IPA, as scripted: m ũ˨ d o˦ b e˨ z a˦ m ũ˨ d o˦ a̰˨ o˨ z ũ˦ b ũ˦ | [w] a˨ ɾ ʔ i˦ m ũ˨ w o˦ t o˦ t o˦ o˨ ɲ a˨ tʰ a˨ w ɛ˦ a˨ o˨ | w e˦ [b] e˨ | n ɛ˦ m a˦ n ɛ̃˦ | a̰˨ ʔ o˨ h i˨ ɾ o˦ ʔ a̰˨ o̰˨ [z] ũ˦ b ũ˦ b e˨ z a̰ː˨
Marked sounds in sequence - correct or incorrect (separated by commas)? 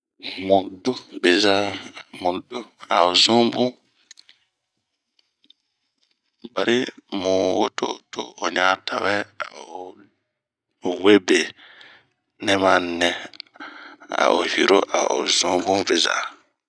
incorrect, correct, correct